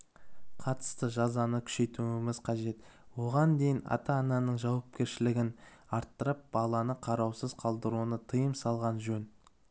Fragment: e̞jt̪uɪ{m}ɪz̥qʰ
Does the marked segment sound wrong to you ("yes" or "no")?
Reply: no